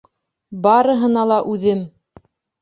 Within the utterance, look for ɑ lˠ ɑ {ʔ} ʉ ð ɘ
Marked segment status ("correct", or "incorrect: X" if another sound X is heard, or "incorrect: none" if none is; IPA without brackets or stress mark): correct